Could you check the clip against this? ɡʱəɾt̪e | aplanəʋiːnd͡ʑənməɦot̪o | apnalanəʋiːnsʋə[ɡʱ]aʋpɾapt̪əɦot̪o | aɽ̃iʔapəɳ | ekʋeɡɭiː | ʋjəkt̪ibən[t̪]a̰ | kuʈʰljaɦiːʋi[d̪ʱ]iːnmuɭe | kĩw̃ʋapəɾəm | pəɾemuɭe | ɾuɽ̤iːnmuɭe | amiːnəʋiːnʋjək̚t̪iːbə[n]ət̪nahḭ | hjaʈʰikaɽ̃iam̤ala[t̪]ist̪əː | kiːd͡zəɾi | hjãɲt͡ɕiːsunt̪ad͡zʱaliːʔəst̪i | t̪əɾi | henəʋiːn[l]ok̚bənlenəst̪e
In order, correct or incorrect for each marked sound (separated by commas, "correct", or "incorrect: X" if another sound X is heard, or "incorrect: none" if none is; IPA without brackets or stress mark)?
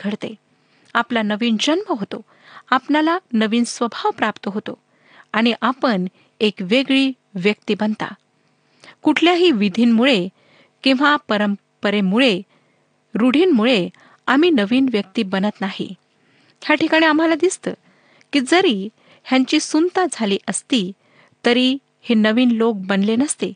incorrect: bʱ, correct, correct, correct, incorrect: d̪, correct